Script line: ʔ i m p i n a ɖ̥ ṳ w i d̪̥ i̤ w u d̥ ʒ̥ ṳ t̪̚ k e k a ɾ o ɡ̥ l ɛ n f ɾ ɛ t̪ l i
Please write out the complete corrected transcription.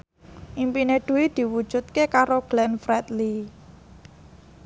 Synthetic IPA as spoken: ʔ i m p i n e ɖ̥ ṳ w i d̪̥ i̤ w u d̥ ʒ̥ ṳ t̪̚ k e k a ɾ o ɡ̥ l ɛ n f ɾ ɛ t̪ l i